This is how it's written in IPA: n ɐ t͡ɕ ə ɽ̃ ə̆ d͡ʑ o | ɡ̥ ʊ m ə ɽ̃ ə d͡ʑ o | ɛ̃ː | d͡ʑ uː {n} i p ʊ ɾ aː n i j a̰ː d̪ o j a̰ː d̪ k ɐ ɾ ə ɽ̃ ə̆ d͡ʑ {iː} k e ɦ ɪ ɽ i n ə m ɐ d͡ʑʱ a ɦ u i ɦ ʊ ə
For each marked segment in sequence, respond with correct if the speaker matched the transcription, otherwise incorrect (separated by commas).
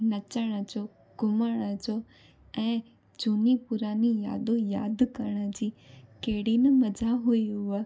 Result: correct, correct